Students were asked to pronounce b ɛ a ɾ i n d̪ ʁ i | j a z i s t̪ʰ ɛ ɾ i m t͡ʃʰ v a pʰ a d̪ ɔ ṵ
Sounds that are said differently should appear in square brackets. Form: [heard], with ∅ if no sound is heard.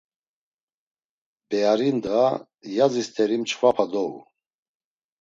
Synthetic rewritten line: b ɛ a ɾ i n d̪ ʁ [a] | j a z i s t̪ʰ ɛ ɾ i m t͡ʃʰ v a pʰ a d̪ ɔ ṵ